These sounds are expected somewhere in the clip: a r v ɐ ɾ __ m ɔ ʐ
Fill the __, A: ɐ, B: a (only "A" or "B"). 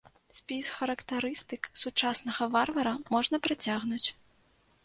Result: A